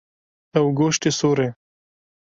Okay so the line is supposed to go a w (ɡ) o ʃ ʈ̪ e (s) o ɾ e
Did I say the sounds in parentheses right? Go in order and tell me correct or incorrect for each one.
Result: correct, correct

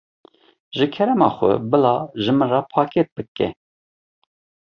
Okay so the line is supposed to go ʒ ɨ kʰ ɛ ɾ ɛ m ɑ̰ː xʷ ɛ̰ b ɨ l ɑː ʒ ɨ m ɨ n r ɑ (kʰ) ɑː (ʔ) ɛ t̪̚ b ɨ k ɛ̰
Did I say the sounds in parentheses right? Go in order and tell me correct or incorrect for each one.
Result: incorrect: pʰ, incorrect: k

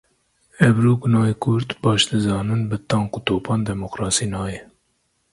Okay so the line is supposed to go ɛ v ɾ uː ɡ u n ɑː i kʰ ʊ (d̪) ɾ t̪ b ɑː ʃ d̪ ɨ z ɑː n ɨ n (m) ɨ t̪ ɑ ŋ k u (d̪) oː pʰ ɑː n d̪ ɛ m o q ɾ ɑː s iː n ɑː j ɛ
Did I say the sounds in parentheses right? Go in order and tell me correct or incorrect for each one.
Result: incorrect: none, incorrect: b, incorrect: t̪

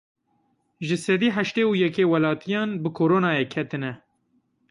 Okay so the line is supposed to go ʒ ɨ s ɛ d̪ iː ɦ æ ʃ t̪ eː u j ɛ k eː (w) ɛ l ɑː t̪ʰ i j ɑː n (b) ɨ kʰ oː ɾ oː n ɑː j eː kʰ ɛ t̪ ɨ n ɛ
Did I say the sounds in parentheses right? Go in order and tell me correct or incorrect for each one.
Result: correct, correct

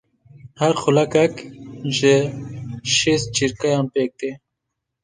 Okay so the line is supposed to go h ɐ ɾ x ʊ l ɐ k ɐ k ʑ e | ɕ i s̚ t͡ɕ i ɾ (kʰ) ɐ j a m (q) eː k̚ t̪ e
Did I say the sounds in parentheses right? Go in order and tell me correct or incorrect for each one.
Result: incorrect: k, incorrect: p

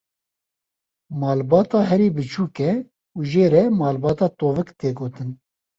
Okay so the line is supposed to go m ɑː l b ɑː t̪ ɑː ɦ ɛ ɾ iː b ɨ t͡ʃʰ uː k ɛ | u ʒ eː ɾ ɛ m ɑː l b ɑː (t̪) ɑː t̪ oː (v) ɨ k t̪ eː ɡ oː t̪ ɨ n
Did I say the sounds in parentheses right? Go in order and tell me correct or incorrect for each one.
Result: correct, correct

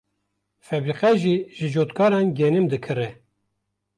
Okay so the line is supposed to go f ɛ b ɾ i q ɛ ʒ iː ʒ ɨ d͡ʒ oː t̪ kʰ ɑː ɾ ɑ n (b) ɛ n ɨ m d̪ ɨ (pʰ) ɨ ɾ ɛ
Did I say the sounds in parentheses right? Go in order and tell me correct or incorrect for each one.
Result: incorrect: ɡ, incorrect: kʰ

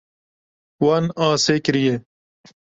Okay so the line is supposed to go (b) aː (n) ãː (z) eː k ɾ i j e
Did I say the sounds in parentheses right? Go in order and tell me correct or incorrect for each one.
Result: incorrect: w, correct, incorrect: s

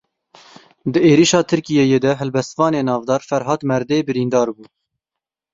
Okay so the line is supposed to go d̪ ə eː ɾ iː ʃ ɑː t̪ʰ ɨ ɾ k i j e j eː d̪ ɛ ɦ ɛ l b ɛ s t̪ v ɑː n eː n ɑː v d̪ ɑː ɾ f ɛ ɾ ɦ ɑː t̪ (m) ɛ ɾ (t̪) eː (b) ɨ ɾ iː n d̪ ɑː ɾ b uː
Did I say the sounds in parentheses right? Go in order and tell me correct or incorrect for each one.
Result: correct, incorrect: d̪, correct

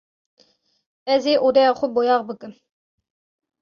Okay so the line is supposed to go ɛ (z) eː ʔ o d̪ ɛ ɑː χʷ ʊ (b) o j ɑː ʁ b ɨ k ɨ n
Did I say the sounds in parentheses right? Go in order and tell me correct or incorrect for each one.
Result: correct, correct

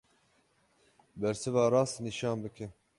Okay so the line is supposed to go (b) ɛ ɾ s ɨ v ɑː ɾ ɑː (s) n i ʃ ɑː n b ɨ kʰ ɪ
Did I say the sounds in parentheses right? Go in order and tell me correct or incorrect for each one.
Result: correct, correct

